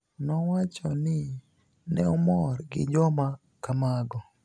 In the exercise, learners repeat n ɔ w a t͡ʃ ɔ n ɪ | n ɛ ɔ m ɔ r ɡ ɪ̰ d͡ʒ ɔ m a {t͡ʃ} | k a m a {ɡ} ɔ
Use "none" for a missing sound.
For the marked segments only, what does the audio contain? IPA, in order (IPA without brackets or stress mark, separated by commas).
none, ɡ